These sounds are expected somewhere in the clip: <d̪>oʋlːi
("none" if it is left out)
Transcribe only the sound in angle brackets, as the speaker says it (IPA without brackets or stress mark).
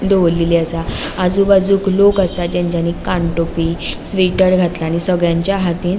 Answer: d̪